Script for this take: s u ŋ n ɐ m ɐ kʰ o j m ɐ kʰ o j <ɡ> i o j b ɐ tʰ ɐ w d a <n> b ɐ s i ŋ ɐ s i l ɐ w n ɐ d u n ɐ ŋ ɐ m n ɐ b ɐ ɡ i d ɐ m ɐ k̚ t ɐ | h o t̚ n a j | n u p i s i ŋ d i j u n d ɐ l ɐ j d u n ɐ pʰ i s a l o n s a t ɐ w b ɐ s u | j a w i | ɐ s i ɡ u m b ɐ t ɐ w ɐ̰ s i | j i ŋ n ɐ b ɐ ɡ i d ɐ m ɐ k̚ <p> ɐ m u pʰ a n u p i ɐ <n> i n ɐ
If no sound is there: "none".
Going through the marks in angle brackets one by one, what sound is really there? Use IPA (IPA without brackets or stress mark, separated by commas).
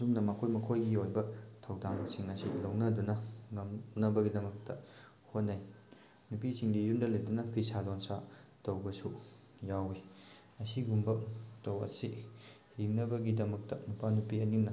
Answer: ɡ, ŋ, t, n